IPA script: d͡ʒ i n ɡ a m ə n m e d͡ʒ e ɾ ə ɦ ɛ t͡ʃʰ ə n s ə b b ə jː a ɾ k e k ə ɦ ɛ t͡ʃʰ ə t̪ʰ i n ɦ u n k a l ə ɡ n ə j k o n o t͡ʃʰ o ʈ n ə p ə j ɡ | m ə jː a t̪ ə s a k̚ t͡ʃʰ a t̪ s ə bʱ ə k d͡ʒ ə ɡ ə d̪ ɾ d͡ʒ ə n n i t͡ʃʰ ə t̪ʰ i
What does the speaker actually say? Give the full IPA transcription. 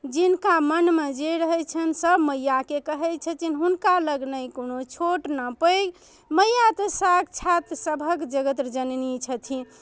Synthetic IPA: d͡ʒ i n k a m ə n m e d͡ʒ e ɾ ə ɦ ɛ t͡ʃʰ ə n s ə b m ə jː a k e k ə ɦ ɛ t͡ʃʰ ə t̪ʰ i n ɦ u n k a l ə ɡ n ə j k o n o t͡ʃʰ o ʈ n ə p ə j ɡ | m ə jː a t̪ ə s a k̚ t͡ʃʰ a t̪ s ə bʱ ə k d͡ʒ ə ɡ ə t̪ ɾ d͡ʒ ə n n i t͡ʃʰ ə t̪ʰ i